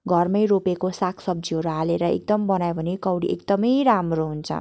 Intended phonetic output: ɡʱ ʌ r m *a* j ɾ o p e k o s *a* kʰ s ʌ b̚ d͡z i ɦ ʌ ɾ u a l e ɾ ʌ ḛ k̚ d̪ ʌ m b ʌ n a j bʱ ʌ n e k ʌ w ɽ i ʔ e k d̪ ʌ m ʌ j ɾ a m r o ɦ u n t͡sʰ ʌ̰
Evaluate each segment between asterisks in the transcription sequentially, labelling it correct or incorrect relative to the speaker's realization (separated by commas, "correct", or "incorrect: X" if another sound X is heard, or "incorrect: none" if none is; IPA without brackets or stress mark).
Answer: incorrect: ʌ, correct